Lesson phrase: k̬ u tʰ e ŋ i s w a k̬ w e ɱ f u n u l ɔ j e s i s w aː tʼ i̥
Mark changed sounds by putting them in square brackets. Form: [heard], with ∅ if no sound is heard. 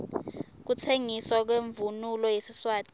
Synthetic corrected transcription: k̬ u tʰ e ŋ i s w a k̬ w e ɱ [v] u n u l ɔ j e s i s w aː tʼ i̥